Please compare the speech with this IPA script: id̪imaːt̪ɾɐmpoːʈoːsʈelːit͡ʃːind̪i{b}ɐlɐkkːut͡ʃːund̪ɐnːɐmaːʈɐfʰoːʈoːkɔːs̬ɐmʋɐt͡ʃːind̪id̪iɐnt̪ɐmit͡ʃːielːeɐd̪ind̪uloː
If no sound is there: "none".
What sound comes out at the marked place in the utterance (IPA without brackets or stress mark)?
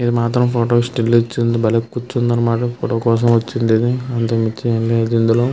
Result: b